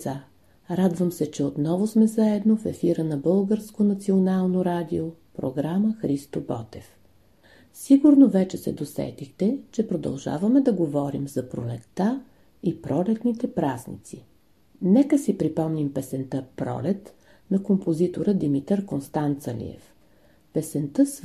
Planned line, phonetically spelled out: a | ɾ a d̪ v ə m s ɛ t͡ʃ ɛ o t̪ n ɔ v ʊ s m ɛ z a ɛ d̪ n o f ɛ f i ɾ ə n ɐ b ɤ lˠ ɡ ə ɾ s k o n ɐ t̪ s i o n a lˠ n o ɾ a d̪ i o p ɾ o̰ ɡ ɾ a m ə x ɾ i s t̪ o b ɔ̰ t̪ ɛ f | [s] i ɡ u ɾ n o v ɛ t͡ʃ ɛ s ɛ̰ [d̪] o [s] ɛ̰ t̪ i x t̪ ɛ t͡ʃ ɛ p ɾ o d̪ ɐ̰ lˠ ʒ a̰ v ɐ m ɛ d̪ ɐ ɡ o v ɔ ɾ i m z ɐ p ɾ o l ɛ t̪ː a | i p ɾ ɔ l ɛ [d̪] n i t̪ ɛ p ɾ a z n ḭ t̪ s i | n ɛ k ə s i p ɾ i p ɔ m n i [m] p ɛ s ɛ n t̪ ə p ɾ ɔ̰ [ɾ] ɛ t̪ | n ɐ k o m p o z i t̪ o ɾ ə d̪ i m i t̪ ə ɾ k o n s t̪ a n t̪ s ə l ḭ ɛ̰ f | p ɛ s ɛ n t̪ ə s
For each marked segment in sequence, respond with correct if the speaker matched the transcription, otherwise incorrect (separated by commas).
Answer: correct, correct, correct, incorrect, correct, incorrect